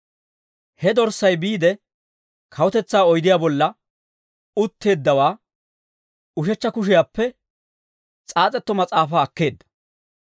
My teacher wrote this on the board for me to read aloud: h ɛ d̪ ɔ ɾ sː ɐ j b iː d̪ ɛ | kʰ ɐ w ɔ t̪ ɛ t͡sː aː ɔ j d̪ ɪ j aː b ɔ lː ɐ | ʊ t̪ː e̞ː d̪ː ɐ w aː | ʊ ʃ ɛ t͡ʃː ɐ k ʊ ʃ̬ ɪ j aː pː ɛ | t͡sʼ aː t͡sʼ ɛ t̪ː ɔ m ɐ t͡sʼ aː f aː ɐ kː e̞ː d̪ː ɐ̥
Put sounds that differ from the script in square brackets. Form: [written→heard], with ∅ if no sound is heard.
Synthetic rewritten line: h ɛ d̪ ɔ ɾ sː ɐ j b iː d̪ ɛ | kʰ ɐ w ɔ t̪ ɛ t͡sː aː ɔ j d̪ ɪ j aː b ɔ lː ɐ | ʊ t̪ː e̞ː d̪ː ɐ w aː | ʊ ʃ ɛ t͡ʃː ɐ k ʊ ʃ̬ ɪ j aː pː ɛ | t͡sʼ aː t͡sʼ ɛ t̪ː ɔ m ɐ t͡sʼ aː f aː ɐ kː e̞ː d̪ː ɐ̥

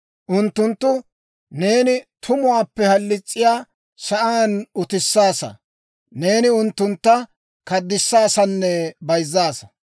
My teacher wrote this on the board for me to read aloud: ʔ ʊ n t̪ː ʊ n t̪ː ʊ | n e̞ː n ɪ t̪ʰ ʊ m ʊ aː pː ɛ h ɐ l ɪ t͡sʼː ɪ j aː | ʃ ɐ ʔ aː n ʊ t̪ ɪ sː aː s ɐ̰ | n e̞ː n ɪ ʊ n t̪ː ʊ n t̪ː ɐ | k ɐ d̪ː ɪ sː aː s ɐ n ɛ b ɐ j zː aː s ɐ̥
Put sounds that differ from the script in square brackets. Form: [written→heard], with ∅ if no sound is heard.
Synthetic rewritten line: ʔ ʊ n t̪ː ʊ n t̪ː ʊ | n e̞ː n ɪ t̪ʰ ʊ m ʊ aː pː ɛ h ɐ [l→lː] ɪ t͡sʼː ɪ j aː | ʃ ɐ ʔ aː n ʊ t̪ ɪ sː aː s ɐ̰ | n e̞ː n ɪ ʊ n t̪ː ʊ n t̪ː ɐ | k ɐ d̪ː ɪ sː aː s ɐ [n→nː] ɛ b ɐ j zː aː s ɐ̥

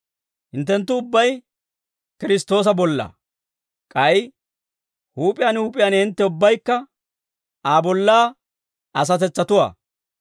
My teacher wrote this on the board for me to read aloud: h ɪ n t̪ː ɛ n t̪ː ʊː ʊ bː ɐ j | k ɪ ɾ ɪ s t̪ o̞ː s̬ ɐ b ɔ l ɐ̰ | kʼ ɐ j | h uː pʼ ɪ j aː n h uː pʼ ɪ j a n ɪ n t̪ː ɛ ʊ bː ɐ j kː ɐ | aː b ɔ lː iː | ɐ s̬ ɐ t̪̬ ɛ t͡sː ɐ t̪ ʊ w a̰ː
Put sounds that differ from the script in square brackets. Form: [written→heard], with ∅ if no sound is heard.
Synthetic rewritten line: h ɪ n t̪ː ɛ n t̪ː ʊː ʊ bː ɐ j | k ɪ ɾ ɪ s t̪ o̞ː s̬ ɐ b ɔ [l→lː] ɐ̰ | kʼ ɐ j | h uː pʼ ɪ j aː n h uː pʼ ɪ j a n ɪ n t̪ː ɛ ʊ bː ɐ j kː ɐ | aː b ɔ lː [iː→aː] | ɐ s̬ ɐ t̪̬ ɛ t͡sː ɐ t̪ ʊ w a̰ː

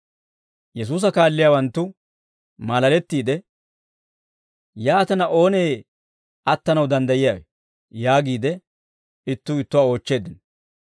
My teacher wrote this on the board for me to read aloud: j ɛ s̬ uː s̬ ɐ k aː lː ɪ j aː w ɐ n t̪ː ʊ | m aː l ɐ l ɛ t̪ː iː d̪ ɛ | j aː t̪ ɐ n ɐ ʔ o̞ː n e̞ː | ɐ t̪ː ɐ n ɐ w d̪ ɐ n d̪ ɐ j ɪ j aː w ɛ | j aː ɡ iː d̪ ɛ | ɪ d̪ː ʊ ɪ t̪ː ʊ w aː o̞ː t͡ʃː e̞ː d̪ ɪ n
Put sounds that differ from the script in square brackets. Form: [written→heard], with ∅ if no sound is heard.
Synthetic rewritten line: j ɛ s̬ uː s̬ ɐ k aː lː ɪ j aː w ɐ n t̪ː ʊ | m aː l ɐ l ɛ t̪ː iː d̪ ɛ | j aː t̪ ɐ n ɐ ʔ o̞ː n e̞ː | ɐ t̪ː ɐ n ɐ w d̪ ɐ n d̪ ɐ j ɪ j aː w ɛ | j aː ɡ iː d̪ ɛ | ɪ [d̪ː→t̪ː] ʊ ɪ t̪ː ʊ w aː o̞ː t͡ʃː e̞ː d̪ ɪ n

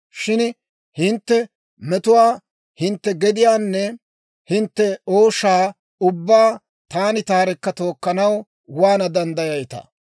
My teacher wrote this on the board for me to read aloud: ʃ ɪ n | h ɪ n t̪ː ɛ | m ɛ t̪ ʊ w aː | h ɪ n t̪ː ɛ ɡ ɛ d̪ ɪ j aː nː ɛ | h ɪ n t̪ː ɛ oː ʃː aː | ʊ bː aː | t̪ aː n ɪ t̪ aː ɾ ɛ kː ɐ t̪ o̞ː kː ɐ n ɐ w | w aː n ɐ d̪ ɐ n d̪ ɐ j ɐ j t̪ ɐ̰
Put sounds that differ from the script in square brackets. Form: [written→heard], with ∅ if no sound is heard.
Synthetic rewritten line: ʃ ɪ n | h ɪ n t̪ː ɛ | m ɛ t̪ ʊ w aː | h ɪ n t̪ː ɛ ɡ ɛ d̪ ɪ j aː nː ɛ | h ɪ n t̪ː ɛ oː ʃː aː | ʊ bː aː | t̪ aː n ɪ t̪ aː ɾ ɛ kː ɐ t̪ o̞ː kː ɐ n ɐ w | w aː n ɐ d̪ ɐ n d̪ ɐ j ɐ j t̪ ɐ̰

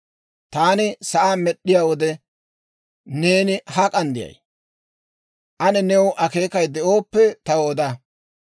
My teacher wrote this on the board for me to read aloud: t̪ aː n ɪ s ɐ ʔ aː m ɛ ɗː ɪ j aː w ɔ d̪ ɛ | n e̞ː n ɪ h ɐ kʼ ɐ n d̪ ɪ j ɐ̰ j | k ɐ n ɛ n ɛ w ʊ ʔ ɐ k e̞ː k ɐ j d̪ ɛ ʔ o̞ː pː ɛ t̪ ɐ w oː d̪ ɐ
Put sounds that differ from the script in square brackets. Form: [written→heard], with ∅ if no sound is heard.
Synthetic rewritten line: t̪ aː n ɪ s ɐ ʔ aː m ɛ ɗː ɪ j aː w ɔ d̪ ɛ | n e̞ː n ɪ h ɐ kʼ ɐ n d̪ ɪ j ɐ̰ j | [k→ʔ] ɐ n ɛ n ɛ w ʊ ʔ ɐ k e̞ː k ɐ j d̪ ɛ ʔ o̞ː pː ɛ t̪ ɐ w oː d̪ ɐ

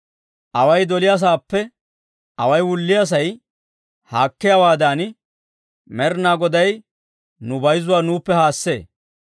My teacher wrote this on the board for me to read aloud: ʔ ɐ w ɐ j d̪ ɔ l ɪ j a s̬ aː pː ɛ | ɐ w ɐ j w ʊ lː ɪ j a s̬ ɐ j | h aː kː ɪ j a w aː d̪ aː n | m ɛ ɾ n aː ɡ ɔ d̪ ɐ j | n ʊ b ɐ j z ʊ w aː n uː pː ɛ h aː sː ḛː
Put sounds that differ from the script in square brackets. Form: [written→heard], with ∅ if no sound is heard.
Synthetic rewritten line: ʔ ɐ w ɐ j d̪ ɔ l ɪ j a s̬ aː pː ɛ | ɐ w ɐ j w ʊ lː ɪ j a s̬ ɐ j | h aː kː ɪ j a w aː d̪ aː n | m ɛ ɾ n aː ɡ ɔ d̪ ɐ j | n ʊ b ɐ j z ʊ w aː n uː pː ɛ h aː sː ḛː

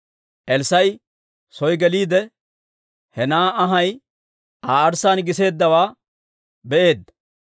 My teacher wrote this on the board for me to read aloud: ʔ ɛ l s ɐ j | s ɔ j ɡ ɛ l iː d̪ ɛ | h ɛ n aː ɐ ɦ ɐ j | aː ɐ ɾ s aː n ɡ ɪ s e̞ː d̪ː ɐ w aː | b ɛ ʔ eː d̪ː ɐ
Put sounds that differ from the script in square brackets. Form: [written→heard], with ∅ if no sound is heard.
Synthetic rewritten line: ʔ ɛ l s ɐ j | s ɔ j ɡ ɛ l iː d̪ ɛ | h ɛ n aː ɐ ɦ ɐ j | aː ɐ ɾ s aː n ɡ ɪ s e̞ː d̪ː ɐ w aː | b ɛ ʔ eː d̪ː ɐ

